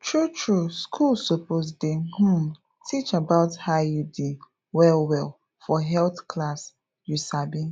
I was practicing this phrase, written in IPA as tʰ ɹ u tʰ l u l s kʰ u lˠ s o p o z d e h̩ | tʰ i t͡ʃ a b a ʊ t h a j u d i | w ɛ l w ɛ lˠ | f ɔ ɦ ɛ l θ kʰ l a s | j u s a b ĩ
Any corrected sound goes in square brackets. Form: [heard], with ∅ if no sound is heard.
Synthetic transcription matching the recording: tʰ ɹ u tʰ [ɹ] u [∅] s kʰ u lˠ s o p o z d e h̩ | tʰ i t͡ʃ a b a ʊ t h a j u d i | w ɛ l w ɛ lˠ | f ɔ ɦ ɛ l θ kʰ l a s | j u s a b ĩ